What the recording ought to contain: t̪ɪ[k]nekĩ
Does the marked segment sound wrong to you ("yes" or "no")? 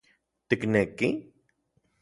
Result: no